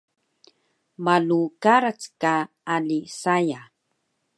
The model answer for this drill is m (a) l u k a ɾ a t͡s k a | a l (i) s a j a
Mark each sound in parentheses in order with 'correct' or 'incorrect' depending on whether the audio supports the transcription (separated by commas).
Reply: correct, correct